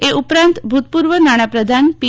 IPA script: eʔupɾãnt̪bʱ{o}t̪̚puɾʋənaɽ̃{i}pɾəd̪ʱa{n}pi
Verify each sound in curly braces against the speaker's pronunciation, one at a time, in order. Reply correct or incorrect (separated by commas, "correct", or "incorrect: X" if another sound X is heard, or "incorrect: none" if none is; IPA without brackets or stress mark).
incorrect: u, incorrect: a, correct